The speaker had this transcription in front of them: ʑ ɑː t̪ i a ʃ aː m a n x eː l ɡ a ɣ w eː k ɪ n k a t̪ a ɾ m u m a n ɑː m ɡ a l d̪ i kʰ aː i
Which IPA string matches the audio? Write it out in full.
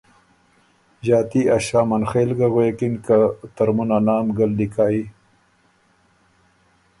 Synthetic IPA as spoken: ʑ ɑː t̪ i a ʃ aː m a n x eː l ɡ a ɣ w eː k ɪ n k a t̪ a ɾ m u n a n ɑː m ɡ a l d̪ i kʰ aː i